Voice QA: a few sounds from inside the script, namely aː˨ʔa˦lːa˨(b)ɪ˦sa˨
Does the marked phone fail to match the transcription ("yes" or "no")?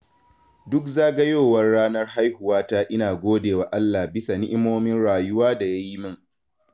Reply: no